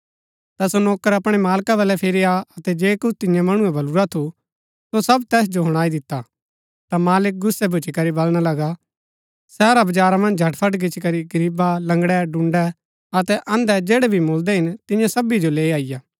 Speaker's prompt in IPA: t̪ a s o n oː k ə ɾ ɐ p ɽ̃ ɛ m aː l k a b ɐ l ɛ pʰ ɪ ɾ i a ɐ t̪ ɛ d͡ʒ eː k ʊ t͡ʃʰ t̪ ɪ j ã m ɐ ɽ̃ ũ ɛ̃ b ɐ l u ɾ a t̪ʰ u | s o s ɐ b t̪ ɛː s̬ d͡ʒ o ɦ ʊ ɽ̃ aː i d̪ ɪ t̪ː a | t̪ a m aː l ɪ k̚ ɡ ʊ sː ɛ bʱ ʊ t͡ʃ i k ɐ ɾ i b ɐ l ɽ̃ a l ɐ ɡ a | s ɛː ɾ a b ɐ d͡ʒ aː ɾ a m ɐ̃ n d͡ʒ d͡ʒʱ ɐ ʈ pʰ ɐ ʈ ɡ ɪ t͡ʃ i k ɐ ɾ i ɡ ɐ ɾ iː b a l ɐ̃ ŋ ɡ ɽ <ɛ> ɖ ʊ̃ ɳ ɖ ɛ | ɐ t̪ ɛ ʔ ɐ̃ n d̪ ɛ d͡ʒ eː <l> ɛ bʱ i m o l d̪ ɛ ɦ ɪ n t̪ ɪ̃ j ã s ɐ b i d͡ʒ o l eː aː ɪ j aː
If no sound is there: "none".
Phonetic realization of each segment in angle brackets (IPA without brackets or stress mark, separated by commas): ɛ, ɽ